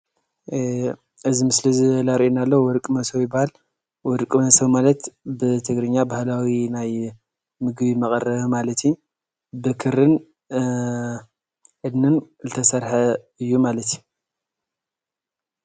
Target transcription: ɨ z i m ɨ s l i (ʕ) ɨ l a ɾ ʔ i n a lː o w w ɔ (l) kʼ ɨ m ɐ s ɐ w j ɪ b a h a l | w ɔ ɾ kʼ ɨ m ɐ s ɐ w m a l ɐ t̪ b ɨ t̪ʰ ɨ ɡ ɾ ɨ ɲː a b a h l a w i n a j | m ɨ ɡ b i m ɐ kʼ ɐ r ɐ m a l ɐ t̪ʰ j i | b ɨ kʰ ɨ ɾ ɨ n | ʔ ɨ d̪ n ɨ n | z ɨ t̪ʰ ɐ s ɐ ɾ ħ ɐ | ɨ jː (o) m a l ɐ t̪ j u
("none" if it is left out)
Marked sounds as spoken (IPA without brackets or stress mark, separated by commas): z, ɾ, u